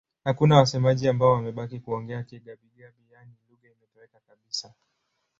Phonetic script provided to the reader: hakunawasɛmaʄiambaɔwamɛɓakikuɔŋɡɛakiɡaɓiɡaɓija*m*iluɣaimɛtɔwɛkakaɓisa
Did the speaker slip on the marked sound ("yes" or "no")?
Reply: yes